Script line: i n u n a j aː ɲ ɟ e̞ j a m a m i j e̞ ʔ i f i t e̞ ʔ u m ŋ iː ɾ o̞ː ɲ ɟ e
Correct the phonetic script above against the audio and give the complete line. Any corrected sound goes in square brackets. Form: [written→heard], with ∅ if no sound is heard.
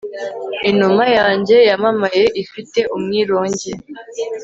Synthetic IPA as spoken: i n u [n→m] a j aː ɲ ɟ e̞ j a m a m [i→a] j e̞ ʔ i f i t e̞ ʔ u m ŋ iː ɾ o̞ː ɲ ɟ e